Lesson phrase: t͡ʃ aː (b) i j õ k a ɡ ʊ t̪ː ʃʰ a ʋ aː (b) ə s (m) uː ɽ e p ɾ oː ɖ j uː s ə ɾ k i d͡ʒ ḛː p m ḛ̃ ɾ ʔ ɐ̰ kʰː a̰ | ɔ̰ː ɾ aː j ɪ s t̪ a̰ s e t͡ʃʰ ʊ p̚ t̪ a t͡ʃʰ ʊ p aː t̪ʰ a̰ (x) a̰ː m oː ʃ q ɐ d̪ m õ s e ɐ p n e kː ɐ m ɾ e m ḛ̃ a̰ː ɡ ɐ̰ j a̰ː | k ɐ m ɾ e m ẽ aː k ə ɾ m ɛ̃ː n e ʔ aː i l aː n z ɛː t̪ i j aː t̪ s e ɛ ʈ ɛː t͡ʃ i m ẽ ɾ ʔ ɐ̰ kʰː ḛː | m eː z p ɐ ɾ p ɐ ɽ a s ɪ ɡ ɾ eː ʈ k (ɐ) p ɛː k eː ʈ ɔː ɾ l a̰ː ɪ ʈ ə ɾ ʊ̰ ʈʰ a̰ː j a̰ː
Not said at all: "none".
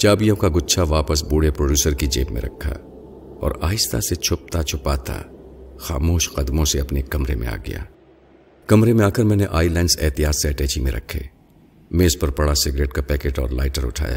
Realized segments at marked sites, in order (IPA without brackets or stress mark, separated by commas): b, p, b, x, a